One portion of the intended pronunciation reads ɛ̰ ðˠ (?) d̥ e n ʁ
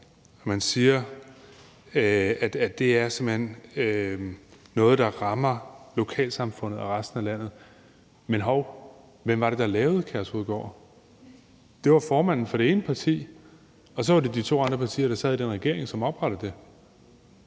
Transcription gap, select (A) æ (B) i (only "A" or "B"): B